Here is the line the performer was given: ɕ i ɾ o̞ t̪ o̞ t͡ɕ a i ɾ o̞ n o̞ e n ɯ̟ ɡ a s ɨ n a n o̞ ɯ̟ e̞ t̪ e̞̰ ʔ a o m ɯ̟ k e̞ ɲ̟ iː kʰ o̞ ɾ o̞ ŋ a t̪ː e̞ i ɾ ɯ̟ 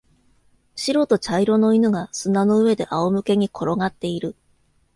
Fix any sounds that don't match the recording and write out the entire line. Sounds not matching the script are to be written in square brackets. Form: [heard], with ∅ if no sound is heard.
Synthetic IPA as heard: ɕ i ɾ o̞ t̪ o̞ t͡ɕ a i ɾ o̞ n o̞ [i] n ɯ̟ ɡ a s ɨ n a n o̞ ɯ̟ e̞ [d̪] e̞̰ ʔ a o m ɯ̟ k e̞ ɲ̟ [i] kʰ o̞ ɾ o̞ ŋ a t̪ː e̞ i ɾ ɯ̟